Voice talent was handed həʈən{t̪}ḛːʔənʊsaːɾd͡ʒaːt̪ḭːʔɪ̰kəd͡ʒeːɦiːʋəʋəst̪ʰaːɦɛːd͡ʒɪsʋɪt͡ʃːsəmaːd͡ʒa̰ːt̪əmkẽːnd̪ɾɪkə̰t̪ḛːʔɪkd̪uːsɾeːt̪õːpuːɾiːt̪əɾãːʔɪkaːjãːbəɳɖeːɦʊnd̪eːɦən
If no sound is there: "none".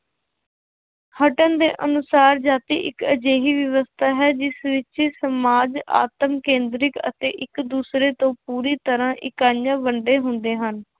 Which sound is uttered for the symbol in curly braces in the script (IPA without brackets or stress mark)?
d̪